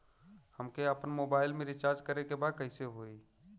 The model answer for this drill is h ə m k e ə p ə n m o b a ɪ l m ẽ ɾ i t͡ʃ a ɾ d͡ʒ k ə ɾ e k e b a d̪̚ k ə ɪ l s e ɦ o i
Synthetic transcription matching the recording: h ə m k e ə p ə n m o b a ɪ l m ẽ ɾ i t͡ʃ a ɾ d͡ʒ k ə ɾ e k e b a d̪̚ k ə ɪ s e ɦ o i